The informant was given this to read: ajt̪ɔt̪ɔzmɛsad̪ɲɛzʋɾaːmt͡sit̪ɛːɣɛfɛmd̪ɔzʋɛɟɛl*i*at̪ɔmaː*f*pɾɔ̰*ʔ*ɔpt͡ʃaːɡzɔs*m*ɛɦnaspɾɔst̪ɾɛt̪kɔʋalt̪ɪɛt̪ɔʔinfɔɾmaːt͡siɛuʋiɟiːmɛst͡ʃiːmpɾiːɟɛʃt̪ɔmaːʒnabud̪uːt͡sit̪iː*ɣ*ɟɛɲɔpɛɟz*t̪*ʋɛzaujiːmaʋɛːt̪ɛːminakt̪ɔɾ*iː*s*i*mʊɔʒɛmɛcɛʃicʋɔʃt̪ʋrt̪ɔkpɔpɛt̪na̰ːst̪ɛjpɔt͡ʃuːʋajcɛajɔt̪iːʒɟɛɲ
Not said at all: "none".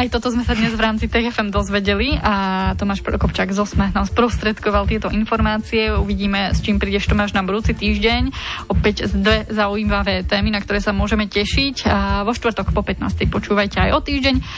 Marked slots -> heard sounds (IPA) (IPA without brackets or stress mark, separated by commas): i, ʃ, k, m, ʒ, d̪, ɛː, a